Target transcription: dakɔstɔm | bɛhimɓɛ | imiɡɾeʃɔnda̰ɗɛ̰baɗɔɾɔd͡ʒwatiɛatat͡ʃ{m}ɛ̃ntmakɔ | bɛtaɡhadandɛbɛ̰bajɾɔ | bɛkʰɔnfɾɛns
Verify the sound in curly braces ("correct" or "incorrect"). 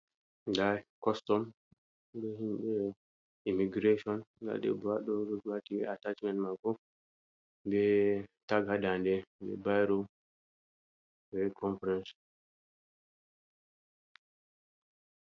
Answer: correct